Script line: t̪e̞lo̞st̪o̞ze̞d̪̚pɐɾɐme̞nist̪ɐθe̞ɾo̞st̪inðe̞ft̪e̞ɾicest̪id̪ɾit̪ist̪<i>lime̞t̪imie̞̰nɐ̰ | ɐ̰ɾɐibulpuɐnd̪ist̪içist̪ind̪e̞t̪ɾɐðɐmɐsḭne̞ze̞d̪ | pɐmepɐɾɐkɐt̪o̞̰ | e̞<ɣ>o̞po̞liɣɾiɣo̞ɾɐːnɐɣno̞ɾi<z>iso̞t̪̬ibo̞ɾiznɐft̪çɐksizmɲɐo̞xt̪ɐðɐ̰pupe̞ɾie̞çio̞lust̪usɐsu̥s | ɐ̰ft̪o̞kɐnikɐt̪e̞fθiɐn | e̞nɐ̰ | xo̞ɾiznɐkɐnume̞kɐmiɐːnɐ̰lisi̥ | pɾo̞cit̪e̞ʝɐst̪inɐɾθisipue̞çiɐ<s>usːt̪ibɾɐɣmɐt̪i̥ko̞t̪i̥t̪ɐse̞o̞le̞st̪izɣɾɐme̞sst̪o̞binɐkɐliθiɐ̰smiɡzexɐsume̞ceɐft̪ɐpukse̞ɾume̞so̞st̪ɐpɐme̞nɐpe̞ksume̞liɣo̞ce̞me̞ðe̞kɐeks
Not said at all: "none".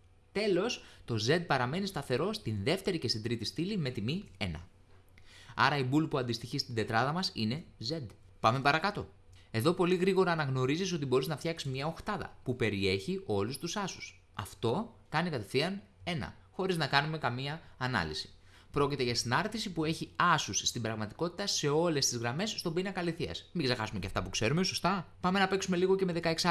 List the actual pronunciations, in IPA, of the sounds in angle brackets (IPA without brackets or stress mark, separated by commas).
i, ð, z, s